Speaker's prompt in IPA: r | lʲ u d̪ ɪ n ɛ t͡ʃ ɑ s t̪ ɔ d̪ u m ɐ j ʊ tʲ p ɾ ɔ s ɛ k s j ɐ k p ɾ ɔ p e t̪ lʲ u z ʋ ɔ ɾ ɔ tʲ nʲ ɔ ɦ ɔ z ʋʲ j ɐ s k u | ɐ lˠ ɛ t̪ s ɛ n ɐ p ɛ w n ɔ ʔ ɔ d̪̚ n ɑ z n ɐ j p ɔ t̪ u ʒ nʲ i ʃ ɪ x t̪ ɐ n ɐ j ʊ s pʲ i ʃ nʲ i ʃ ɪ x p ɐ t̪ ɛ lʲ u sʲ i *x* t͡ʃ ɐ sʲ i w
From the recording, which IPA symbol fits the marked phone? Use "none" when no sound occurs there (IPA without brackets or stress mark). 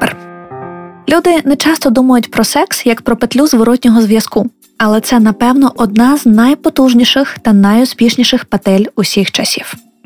x